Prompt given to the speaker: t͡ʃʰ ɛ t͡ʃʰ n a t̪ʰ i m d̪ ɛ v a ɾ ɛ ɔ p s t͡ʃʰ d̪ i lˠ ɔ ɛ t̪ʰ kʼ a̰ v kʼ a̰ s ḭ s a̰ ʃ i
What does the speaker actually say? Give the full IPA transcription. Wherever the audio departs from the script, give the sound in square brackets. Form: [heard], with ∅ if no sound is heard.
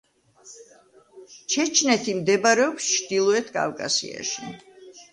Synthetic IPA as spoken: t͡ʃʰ ɛ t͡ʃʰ n [ɛ] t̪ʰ i m d̪ ɛ [b] a ɾ ɛ ɔ p s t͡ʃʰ d̪ i lˠ ɔ ɛ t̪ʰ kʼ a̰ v kʼ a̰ s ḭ [∅] a̰ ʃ i